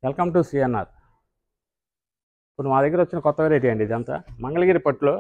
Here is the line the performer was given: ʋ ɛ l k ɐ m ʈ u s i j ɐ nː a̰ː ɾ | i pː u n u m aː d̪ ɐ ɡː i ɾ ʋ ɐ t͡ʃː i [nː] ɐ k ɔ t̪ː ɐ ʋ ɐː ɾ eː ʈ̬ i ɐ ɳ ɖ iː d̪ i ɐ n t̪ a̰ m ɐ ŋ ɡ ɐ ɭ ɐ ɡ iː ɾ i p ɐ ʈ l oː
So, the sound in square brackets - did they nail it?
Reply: no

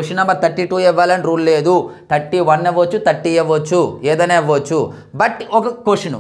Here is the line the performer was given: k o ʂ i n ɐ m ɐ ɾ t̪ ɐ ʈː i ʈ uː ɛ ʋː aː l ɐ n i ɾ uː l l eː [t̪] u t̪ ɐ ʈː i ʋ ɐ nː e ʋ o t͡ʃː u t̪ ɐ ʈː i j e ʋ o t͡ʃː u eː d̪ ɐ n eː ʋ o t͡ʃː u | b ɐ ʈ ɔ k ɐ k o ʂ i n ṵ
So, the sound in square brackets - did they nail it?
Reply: no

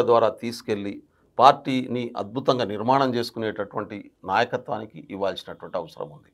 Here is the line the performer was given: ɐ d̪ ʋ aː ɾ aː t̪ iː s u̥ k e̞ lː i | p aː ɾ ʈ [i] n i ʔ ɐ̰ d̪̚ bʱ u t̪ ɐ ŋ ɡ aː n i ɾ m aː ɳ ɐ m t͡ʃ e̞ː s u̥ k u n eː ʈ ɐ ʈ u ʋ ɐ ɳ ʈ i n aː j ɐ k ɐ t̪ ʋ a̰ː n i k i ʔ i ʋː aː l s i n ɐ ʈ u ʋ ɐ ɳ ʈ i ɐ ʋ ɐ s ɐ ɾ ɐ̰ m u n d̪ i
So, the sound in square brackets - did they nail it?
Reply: no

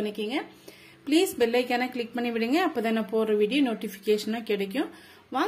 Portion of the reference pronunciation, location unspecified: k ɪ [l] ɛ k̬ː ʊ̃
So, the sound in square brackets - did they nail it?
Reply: no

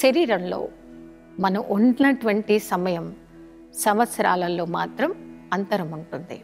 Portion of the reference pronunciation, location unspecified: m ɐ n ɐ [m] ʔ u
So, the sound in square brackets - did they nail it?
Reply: yes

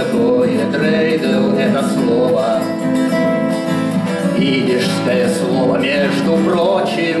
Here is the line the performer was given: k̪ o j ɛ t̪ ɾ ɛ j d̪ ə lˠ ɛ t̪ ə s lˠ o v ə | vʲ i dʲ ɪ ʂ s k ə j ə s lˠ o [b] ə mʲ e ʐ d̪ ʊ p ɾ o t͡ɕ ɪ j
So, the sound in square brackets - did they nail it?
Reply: no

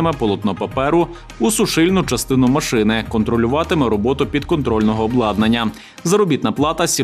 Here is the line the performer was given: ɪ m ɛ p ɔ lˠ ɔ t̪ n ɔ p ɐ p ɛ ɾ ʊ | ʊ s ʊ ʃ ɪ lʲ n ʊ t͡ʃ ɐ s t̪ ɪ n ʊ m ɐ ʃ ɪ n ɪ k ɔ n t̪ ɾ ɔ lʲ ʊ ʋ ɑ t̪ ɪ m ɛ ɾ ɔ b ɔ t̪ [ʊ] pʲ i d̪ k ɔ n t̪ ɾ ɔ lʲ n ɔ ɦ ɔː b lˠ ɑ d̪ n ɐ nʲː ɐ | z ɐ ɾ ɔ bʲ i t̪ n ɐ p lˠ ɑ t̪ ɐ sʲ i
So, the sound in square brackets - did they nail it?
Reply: yes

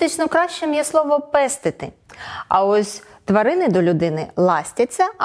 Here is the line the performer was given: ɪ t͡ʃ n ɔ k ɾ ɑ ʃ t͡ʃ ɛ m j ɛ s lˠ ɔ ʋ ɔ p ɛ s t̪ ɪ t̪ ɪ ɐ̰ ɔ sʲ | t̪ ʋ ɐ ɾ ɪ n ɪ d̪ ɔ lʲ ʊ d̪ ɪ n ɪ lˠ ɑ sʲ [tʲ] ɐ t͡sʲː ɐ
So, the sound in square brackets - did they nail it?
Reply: yes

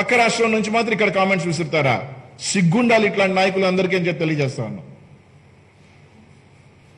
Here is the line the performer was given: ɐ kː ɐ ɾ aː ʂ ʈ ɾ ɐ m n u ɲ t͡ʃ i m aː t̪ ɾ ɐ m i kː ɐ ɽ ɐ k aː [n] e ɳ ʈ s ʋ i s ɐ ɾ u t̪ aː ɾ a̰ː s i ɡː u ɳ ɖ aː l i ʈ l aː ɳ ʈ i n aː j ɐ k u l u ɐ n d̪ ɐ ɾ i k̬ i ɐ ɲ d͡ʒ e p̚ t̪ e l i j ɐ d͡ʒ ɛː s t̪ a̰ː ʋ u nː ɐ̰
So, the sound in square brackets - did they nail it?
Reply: no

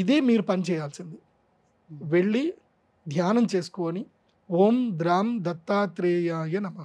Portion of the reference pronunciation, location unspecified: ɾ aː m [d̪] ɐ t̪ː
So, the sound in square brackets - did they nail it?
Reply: yes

